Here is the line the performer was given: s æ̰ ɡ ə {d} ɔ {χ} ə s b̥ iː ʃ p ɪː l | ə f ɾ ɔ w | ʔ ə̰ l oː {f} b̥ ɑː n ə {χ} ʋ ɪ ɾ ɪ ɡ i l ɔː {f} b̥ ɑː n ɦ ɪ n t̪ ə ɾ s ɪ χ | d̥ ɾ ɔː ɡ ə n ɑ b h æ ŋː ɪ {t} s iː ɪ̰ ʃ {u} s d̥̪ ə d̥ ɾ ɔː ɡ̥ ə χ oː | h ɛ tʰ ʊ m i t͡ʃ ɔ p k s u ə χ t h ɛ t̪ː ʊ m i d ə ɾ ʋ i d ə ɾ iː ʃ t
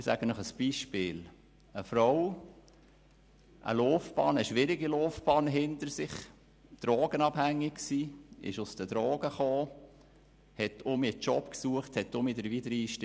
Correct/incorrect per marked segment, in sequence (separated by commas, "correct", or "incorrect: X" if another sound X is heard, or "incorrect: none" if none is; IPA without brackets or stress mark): incorrect: n, correct, correct, incorrect: ʃ, correct, incorrect: k, incorrect: ʊ